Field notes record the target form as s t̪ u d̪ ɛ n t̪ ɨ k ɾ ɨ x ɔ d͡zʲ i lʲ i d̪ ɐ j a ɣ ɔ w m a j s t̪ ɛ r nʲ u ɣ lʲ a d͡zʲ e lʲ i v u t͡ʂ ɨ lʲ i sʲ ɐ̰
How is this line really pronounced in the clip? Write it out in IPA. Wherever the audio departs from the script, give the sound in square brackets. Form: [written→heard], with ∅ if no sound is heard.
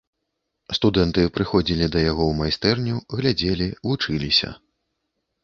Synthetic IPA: s t̪ u d̪ ɛ n t̪ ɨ [k→p] ɾ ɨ x ɔ d͡zʲ i lʲ i d̪ ɐ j a ɣ ɔ w m a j s t̪ ɛ r nʲ u ɣ lʲ a d͡zʲ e lʲ i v u t͡ʂ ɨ lʲ i sʲ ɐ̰